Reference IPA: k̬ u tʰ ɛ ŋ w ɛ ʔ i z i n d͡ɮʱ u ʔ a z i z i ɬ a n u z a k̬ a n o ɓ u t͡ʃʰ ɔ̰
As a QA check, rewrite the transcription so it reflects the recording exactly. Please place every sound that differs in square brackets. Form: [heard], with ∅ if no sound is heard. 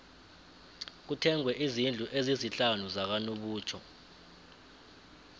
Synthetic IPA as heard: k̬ u tʰ ɛ ŋ w ɛ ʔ i z i n d͡ɮʱ u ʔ [e] z i z i ɬ a n u z a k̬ a n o ɓ [uː] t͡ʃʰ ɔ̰

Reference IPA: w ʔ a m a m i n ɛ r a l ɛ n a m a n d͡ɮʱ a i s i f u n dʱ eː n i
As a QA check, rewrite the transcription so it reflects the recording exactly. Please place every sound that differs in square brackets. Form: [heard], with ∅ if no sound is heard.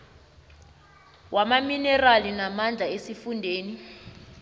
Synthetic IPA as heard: w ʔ a m a m i n ɛ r a l [i] n a m a n d͡ɮʱ a [e] s i f u n dʱ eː n i

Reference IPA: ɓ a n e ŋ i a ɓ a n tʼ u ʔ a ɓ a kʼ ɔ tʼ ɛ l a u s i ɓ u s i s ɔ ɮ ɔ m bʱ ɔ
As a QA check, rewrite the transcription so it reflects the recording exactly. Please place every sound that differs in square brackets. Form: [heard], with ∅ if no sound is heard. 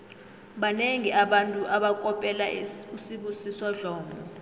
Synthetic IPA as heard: ɓ a n e ŋ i a ɓ a n tʼ u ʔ a ɓ a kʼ ɔ [pʼ] ɛ l a u s i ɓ u s i s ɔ ɮ [ɔː] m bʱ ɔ

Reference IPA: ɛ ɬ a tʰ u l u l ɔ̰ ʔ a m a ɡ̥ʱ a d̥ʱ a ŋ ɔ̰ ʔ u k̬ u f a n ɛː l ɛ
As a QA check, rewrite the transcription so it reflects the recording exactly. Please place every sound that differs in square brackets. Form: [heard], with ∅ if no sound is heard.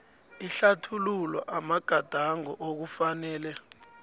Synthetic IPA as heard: [i] ɬ a tʰ u l u l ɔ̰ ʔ a m a ɡ̥ʱ a d̥ʱ a ŋ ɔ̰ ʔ [o] k̬ u f a n ɛː l ɛ

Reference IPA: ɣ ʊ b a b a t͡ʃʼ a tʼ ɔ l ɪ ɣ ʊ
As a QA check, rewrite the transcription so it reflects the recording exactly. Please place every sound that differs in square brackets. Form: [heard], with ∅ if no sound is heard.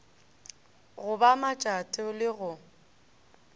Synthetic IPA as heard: ɣ ʊ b a [m] a t͡ʃʼ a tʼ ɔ l ɪ ɣ ʊ

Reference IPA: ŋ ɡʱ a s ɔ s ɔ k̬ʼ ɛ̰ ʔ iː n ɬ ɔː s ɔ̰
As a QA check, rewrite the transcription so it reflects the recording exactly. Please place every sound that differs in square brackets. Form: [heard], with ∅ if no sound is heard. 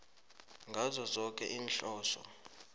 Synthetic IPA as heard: ŋ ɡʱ a [z] ɔ [z] ɔ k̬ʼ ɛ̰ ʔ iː n ɬ ɔː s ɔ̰

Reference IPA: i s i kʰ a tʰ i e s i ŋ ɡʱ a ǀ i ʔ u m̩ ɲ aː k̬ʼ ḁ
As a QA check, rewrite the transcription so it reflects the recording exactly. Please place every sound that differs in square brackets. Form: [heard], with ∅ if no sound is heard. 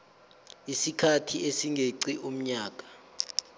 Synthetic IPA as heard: i s i kʰ a tʰ i e s i ŋ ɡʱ [e] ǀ i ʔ u m̩ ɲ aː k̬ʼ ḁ

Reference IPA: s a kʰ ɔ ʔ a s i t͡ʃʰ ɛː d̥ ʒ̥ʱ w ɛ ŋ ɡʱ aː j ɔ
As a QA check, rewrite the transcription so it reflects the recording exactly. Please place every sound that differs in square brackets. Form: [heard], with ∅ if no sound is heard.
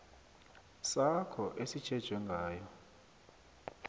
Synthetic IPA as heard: s a kʰ ɔ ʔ [e] s i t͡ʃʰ [ɛ] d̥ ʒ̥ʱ w ɛ ŋ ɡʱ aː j ɔ

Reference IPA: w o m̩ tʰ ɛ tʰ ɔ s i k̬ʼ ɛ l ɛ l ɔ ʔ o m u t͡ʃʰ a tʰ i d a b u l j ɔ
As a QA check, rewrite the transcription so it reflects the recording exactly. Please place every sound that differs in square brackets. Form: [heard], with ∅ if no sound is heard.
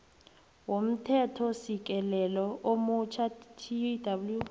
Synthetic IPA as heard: w o m̩ tʰ ɛ tʰ ɔ s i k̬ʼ ɛ l ɛ l ɔ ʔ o m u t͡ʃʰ a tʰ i d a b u l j [u]

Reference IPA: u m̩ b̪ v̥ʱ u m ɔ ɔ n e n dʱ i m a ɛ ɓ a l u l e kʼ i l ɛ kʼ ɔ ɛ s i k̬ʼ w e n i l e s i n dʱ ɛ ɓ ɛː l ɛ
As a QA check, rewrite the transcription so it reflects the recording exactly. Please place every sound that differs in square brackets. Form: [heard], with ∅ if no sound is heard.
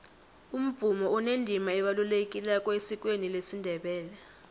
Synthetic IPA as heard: u m̩ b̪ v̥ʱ u m ɔ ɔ n e n dʱ i m a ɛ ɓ a l u l e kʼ i l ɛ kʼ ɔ [e] s i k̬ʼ w e n i l e s i n dʱ ɛ ɓ ɛː l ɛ

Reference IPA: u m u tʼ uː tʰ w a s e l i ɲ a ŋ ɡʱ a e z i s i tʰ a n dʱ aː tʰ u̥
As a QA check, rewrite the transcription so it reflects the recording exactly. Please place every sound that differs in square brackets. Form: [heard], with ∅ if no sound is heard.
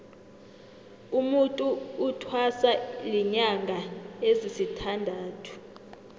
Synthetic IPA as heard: u m u tʼ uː tʰ w a s [a] l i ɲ a ŋ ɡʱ a e z i s i tʰ a n dʱ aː tʰ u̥

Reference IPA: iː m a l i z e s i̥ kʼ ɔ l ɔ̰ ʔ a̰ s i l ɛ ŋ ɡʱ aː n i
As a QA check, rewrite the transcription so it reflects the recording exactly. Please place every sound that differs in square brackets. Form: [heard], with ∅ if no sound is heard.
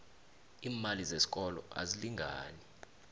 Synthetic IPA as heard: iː m a l i z e s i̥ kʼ ɔ l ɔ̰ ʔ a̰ [z] i l [i] ŋ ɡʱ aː n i

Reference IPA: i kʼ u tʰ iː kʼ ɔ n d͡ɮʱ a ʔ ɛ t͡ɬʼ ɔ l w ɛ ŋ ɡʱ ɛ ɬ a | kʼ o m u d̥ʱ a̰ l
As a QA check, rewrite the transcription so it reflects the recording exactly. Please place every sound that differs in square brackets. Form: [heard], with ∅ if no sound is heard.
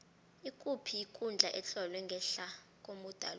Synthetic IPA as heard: i kʼ u [pʰ] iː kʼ [u] n d͡ɮʱ a ʔ ɛ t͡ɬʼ ɔ l w ɛ ŋ ɡʱ ɛ ɬ a | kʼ o m u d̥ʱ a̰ l

